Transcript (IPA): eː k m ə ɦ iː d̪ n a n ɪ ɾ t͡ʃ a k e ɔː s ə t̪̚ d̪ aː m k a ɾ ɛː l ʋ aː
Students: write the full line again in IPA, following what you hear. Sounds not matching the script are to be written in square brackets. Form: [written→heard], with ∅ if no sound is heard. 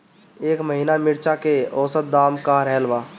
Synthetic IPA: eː k m ə ɦ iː [d̪→∅] n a [n→m] ɪ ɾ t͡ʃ a k e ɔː s ə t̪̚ d̪ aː m k a ɾ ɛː l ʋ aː